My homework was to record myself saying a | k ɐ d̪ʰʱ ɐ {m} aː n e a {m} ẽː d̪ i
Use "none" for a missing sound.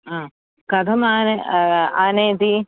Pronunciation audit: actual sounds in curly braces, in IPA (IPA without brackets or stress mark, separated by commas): m, n